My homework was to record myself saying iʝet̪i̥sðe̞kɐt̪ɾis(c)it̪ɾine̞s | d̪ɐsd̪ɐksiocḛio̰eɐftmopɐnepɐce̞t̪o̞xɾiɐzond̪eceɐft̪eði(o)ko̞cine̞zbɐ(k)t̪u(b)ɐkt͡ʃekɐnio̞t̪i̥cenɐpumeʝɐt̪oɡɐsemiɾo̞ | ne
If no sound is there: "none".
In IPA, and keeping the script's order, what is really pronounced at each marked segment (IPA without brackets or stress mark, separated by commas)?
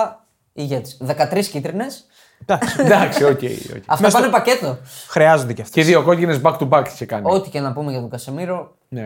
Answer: c, o, k, b